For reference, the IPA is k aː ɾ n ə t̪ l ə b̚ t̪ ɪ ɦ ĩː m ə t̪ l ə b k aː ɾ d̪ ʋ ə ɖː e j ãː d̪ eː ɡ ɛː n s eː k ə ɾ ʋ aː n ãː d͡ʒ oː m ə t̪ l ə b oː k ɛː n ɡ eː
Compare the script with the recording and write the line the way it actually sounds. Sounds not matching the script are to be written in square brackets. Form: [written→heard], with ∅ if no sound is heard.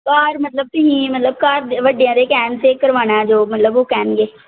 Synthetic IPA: k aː ɾ [n→m] ə t̪ l ə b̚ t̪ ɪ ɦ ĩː m ə t̪ l ə b k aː ɾ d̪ ʋ ə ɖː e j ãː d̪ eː [ɡ→k] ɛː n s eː k ə ɾ ʋ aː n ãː d͡ʒ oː m ə t̪ l ə b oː k ɛː n ɡ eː